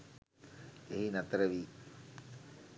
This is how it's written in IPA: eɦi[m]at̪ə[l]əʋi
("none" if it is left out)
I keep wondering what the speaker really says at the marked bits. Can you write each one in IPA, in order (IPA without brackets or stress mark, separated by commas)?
n, ɾ